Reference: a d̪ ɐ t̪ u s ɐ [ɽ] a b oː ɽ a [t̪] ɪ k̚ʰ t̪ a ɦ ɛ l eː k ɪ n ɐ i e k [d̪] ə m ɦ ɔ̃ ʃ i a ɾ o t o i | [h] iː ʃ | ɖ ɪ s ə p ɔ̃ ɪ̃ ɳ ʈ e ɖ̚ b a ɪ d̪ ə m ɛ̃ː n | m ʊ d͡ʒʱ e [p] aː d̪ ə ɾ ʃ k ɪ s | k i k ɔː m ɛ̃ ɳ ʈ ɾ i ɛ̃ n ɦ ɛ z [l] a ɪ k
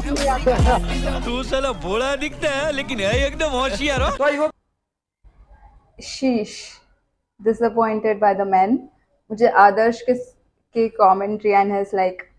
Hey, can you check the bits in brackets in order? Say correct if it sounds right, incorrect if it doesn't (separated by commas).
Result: incorrect, incorrect, correct, incorrect, incorrect, correct